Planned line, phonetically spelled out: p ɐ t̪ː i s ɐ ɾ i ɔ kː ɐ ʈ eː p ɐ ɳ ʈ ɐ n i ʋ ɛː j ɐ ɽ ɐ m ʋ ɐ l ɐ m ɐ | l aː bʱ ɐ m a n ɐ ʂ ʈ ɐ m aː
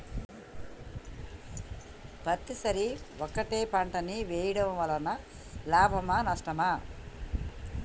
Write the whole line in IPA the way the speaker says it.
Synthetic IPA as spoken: p ɐ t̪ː i s ɐ ɾ i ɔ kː ɐ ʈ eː p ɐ ɳ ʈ ɐ n i ʋ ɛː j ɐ ɽ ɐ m ʋ ɐ l ɐ n ɐ | l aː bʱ ɐ m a n ɐ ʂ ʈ ɐ m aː

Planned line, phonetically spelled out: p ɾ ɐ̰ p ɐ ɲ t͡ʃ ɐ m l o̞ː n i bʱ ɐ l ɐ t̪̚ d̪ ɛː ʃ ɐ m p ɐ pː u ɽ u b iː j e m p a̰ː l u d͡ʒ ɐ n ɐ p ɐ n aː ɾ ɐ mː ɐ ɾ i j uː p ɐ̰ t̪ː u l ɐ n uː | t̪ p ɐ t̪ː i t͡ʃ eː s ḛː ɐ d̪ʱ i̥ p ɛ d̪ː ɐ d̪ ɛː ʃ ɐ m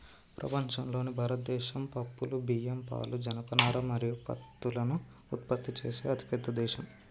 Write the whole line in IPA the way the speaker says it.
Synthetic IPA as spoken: p ɾ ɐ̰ p ɐ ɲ t͡ʃ ɐ m l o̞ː n i bʱ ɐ ɾ ɐ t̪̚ d̪ ɛː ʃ ɐ m p ɐ pː u l u b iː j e m p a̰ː l u d͡ʒ ɐ n ɐ p ɐ n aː ɾ ɐ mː ɐ ɾ i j u p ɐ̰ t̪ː u l ɐ n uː | t̪ p ɐ t̪ː i t͡ʃ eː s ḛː ɐ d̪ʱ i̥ p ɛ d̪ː ɐ d̪ ɛː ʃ ɐ m

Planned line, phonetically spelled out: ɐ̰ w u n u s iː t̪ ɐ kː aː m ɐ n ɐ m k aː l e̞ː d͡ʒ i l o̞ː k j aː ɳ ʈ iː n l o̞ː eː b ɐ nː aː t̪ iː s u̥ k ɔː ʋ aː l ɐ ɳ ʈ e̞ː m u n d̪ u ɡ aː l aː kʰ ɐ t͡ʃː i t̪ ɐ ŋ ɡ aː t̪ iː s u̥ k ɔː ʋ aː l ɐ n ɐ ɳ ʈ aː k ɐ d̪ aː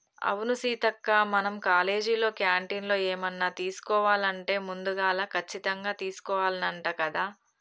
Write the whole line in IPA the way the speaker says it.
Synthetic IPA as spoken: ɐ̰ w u n u s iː t̪ ɐ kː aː m ɐ n ɐ m k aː l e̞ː d͡ʒ i l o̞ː k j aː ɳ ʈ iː n l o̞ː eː m ɐ nː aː t̪ iː s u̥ k ɔː ʋ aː l ɐ ɳ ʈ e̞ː m u n d̪ u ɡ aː l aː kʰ ɐ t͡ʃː i t̪ ɐ ŋ ɡ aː t̪ iː s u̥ k ɔː ʋ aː l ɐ n ɐ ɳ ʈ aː k ɐ d̪ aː

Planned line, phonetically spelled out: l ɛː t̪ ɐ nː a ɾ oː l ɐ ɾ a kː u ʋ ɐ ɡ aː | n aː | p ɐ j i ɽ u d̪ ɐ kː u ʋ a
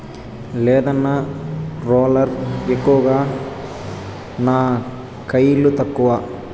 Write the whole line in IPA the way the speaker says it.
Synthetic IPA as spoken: l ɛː d̪ ɐ nː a ɾ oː l ɐ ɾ e kː u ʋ ɐ ɡ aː | n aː | k ɐ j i l u t̪ ɐ kː u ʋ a

